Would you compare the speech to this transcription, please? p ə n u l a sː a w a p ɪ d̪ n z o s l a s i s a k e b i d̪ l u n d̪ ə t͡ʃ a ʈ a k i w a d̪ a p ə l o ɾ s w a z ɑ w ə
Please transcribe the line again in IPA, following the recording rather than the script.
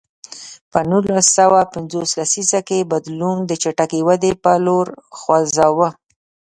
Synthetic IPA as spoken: p ə n u l a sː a w a p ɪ n z o s l a s i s a k e b a d̪ l u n d̪ ə t͡ʃ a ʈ a k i w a d̪ e p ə l o ɾ x w a z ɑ w ə